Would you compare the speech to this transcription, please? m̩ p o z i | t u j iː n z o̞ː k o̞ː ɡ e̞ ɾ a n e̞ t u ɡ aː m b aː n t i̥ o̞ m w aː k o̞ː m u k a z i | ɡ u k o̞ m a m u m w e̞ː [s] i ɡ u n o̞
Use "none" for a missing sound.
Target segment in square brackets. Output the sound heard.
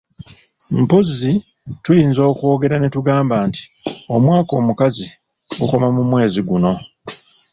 z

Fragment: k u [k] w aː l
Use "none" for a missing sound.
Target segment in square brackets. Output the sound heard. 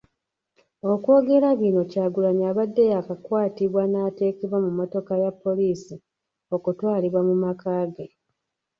t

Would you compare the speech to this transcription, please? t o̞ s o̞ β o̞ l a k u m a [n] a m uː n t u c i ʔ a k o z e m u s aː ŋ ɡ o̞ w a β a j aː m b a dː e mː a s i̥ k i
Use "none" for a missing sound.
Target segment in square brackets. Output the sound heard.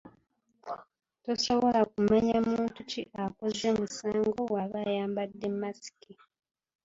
ɲ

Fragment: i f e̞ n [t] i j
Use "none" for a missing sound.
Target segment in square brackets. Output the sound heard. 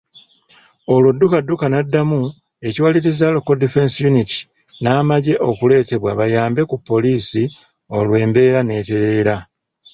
s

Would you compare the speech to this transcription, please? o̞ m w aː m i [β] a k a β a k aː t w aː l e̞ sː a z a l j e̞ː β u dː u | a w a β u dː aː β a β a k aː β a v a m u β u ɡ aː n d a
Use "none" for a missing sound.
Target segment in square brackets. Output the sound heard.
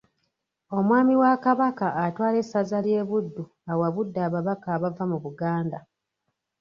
w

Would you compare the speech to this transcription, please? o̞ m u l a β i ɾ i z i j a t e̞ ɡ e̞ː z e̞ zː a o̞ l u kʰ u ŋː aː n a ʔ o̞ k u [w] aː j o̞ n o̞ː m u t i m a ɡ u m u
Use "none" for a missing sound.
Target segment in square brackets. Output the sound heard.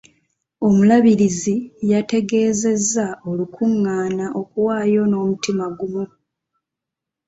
w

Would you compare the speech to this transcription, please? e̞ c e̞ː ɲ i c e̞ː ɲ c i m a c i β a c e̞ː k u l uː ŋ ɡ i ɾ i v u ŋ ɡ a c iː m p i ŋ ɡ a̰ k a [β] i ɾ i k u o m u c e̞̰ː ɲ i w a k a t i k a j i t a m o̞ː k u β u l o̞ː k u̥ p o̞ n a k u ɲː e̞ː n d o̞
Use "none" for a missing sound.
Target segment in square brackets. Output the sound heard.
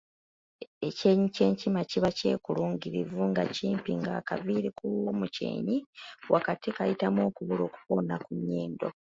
v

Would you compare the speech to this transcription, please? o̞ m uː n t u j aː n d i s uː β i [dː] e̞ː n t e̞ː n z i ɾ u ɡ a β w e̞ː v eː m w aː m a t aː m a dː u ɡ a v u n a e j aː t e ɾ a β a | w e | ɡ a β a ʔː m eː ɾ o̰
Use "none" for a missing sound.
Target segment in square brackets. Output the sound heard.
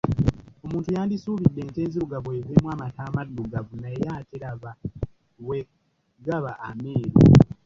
dː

